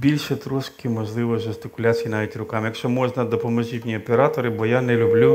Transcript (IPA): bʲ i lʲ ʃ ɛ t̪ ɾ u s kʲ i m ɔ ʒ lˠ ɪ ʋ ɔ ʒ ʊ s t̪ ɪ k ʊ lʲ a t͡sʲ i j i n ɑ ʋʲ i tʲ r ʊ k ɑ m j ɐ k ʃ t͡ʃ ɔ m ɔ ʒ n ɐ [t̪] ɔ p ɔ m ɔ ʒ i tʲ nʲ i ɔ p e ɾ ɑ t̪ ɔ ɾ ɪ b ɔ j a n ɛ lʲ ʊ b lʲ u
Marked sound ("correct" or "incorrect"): incorrect